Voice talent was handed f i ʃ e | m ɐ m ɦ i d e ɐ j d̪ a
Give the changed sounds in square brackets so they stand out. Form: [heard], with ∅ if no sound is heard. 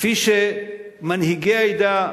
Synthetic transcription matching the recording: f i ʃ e | m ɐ [n] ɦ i [ɡ] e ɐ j d̪ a